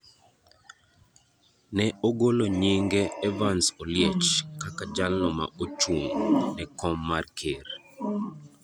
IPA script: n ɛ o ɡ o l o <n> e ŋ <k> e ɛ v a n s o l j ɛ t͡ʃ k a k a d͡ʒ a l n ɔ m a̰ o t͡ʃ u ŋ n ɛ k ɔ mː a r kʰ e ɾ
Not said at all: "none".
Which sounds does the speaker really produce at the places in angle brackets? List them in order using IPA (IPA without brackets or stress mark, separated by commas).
ɲ, ɡ